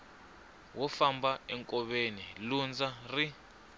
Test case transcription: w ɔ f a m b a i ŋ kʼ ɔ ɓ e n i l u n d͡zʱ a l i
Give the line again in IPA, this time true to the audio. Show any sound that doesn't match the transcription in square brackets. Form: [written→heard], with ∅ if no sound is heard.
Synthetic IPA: w ɔ f a m b a [i→ɛ] ŋ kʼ ɔ ɓ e n i l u n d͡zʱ a [l→r] i